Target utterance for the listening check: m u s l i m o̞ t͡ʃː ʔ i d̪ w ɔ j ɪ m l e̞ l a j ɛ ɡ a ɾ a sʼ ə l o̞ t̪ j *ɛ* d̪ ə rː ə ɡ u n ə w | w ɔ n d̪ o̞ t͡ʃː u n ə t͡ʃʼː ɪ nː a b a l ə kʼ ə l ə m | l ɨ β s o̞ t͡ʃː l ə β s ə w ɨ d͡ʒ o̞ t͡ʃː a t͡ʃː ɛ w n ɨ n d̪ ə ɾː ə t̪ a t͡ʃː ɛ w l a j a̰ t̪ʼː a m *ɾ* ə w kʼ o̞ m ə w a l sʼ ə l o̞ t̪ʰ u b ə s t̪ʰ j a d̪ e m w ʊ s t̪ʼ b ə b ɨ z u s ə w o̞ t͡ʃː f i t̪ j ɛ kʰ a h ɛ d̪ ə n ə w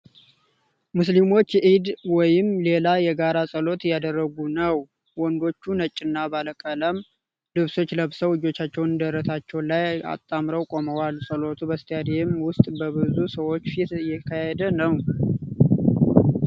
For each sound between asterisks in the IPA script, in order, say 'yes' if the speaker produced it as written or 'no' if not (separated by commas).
no, yes